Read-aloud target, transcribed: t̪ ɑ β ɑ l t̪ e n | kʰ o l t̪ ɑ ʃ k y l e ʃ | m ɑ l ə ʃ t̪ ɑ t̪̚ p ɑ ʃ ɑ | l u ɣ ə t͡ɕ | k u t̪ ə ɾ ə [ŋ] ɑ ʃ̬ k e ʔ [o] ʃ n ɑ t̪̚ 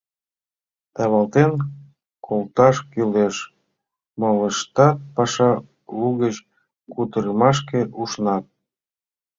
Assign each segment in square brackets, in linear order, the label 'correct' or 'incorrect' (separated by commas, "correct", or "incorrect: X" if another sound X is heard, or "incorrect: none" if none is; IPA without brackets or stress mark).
incorrect: m, incorrect: u